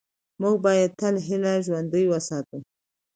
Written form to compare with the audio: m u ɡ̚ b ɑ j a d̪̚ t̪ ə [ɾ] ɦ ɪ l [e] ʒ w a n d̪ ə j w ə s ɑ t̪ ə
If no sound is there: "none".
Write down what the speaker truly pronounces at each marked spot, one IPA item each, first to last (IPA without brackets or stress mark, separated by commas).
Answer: l, a